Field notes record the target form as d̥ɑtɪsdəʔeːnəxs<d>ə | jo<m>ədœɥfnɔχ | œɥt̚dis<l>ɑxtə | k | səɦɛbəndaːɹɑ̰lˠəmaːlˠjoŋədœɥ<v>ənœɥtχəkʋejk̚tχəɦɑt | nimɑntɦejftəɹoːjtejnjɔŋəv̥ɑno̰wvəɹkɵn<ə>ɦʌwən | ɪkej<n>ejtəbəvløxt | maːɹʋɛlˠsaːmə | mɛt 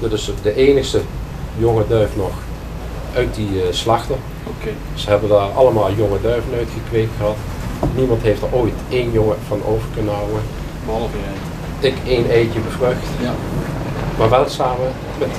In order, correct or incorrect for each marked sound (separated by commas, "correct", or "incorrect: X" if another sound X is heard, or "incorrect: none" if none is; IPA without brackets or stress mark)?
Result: incorrect: t, incorrect: ŋ, correct, correct, correct, correct